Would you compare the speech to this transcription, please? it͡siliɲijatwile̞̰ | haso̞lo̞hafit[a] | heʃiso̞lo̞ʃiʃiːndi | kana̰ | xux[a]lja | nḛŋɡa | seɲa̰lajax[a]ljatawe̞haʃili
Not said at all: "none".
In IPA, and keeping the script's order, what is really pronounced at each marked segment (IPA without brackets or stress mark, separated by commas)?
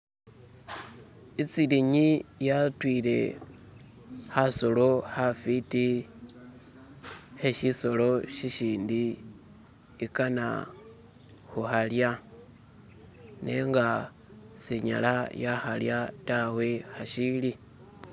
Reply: i, a, a